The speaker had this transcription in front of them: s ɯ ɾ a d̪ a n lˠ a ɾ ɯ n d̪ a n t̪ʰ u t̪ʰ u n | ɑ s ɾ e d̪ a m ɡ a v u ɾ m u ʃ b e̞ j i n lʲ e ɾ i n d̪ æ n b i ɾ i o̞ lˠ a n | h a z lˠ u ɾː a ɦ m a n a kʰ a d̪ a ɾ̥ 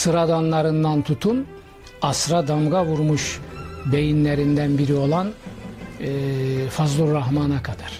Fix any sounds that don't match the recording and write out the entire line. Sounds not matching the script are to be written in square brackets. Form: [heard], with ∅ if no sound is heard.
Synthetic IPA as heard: s ɯ ɾ a d̪ a n lˠ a ɾ ɯ n d̪ a n t̪ʰ u t̪ʰ u n | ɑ s ɾ [a] d̪ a m ɡ a v u ɾ m u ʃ b e̞ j i n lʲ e ɾ i n d̪ æ n b i ɾ i o̞ lˠ a n | [f] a z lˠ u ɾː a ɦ m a n a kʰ a d̪ a ɾ̥